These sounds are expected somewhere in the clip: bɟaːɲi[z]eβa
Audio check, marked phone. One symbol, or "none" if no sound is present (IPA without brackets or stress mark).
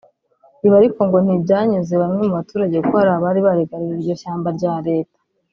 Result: z